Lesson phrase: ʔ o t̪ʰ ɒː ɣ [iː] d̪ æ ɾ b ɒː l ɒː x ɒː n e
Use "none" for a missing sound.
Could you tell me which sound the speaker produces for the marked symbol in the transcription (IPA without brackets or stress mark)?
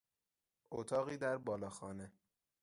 iː